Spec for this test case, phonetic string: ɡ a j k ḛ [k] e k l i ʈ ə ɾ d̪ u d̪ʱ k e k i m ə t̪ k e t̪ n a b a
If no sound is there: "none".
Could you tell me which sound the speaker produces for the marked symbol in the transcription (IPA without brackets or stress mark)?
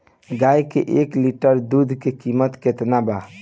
ʔ